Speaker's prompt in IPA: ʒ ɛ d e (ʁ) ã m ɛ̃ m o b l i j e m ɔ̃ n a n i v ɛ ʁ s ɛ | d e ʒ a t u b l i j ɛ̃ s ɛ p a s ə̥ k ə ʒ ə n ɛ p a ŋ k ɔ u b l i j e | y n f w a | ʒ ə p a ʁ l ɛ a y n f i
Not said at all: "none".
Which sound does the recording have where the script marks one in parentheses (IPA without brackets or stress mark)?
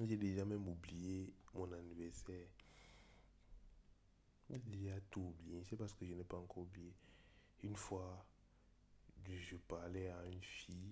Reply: ʒ